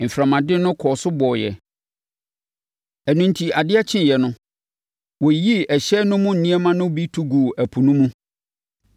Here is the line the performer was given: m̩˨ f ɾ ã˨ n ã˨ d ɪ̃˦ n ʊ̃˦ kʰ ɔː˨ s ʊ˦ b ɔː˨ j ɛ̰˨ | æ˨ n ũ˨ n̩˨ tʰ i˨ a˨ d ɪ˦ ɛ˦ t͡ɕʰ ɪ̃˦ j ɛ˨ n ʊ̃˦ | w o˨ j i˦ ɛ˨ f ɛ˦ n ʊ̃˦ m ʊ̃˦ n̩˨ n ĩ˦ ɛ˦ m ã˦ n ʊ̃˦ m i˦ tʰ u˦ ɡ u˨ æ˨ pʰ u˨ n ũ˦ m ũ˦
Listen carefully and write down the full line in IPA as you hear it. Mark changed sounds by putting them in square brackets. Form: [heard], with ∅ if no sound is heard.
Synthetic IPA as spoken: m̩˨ f ɾ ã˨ [m] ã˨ d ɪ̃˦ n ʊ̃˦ kʰ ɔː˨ s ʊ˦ b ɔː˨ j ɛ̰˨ | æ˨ n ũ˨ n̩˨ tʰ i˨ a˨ d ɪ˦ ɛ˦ t͡ɕʰ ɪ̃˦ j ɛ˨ n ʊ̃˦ | w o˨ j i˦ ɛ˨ [ɕ] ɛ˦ n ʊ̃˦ m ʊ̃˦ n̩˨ n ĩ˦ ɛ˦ m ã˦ n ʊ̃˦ [b] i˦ tʰ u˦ ɡ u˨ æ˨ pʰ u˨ n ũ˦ m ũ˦